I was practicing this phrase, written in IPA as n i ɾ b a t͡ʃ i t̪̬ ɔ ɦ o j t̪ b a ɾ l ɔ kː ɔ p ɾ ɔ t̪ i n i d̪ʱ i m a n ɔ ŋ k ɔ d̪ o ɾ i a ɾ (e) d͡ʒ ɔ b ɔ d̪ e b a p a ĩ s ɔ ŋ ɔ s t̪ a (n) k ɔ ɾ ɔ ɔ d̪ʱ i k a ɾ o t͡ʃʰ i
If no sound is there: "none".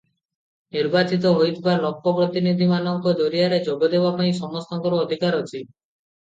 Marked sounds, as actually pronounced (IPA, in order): e, ŋ

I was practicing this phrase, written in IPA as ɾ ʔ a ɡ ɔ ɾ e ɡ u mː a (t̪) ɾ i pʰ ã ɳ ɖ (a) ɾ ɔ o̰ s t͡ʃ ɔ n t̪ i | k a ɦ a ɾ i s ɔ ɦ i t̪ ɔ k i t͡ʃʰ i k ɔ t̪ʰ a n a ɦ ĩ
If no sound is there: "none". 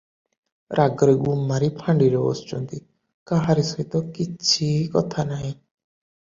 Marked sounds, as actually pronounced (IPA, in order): none, i

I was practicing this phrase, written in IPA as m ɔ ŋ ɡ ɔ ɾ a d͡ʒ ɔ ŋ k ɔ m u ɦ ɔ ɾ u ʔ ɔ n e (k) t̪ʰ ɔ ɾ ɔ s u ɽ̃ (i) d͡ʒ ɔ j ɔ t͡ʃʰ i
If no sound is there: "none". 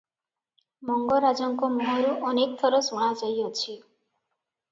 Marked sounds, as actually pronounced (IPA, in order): k, a

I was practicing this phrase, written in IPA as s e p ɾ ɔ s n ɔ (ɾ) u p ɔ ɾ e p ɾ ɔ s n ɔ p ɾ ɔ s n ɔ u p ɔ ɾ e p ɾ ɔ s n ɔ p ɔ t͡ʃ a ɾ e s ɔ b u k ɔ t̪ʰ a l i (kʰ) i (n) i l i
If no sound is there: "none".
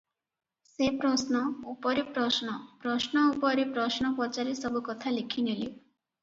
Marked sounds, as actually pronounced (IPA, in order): none, kʰ, n

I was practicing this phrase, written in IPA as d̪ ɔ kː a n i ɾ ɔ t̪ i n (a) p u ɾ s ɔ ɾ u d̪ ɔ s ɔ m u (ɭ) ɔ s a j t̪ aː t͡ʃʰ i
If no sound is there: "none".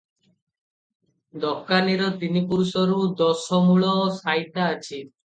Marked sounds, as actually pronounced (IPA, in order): i, ɭ

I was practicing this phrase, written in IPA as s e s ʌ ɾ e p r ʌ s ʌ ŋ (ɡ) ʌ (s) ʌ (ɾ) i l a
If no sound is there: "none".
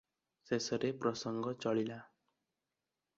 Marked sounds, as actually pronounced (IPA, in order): ɡ, t͡s, ɭ

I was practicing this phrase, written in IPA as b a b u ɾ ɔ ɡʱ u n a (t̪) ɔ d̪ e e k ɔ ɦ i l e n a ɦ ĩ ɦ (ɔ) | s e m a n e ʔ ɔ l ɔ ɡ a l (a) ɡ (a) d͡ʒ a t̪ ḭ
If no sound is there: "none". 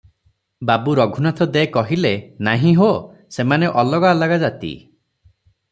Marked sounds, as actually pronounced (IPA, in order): t̪ʰ, o, a, a

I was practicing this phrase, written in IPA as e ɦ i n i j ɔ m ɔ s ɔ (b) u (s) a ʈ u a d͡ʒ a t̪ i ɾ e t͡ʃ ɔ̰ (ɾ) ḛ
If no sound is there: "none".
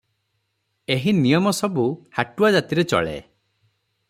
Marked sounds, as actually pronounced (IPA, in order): b, h, ɭ

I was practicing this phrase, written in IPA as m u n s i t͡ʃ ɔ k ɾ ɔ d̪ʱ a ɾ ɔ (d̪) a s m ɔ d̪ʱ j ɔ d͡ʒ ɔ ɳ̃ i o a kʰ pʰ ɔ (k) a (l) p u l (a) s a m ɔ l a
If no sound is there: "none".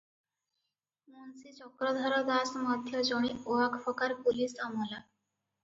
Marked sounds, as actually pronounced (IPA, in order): d̪, k, ɾ, i

